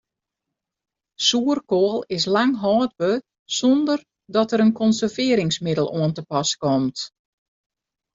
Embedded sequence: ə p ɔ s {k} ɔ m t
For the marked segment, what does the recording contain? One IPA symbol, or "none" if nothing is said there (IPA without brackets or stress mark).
k